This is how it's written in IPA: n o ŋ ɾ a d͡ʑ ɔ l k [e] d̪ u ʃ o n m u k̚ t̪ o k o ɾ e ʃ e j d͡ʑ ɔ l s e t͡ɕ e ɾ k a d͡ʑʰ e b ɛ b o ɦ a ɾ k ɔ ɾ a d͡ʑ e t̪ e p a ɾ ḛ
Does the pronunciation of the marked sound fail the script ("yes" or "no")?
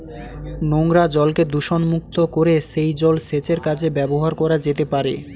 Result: no